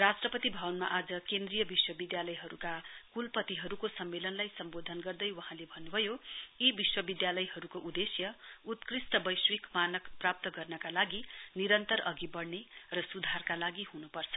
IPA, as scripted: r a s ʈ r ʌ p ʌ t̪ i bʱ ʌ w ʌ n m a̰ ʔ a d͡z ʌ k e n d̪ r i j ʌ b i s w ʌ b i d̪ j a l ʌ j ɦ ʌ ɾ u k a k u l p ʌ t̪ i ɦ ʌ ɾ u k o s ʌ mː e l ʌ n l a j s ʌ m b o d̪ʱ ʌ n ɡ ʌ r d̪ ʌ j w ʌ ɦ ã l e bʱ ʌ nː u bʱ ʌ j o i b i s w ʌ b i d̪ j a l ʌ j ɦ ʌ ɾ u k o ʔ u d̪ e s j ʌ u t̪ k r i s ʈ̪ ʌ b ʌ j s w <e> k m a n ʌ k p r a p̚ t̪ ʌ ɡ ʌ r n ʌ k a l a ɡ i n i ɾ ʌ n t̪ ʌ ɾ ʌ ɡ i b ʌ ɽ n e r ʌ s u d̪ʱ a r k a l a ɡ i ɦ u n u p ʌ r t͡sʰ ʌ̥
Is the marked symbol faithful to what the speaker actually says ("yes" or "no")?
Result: no